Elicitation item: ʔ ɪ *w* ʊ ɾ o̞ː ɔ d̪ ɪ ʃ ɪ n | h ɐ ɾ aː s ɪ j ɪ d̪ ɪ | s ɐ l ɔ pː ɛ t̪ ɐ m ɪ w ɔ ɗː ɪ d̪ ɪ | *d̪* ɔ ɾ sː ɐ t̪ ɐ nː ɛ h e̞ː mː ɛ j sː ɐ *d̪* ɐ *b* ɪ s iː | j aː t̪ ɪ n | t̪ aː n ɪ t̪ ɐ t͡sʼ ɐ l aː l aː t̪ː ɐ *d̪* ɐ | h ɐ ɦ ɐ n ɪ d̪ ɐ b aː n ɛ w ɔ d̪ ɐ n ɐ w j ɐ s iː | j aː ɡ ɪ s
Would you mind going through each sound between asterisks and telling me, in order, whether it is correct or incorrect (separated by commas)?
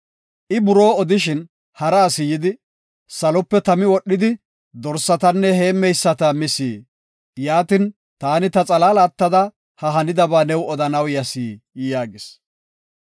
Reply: incorrect, correct, incorrect, incorrect, correct